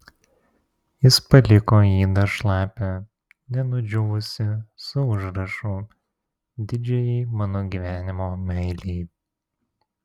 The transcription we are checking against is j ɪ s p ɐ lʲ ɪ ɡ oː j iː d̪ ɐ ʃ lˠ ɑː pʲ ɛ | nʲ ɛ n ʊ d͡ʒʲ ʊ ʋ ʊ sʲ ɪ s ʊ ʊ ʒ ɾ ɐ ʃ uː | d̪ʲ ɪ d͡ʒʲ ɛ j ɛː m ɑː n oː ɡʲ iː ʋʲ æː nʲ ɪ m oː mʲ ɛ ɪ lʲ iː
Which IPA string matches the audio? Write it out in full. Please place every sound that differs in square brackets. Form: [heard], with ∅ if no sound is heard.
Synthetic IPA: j ɪ s p ɐ lʲ ɪ [k] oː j iː d̪ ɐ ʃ lˠ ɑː pʲ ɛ | nʲ ɛ n ʊ d͡ʒʲ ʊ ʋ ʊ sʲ ɪ s ʊ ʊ ʒ ɾ ɐ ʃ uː | d̪ʲ ɪ d͡ʒʲ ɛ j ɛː m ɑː n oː ɡʲ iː ʋʲ æː nʲ ɪ m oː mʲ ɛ ɪ lʲ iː